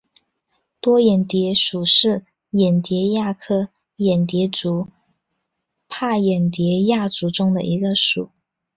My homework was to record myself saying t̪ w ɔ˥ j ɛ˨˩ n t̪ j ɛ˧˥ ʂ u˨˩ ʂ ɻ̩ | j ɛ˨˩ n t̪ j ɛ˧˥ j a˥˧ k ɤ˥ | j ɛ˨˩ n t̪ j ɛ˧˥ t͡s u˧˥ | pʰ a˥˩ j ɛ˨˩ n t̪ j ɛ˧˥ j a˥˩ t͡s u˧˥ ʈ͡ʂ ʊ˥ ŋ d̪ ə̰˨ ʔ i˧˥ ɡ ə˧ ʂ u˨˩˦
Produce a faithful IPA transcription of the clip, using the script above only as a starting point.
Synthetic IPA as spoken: t̪ w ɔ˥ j ɛ˨˩ n t̪ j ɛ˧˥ ʂ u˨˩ ʂ ɻ̩ | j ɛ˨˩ n t̪ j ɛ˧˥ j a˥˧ kʰ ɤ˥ | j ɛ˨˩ n t̪ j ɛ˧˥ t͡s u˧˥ | pʰ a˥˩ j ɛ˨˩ n t̪ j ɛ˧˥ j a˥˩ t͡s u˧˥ ʈ͡ʂ ʊ˥ ŋ d̪ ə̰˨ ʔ i˧˥ ɡ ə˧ ʂ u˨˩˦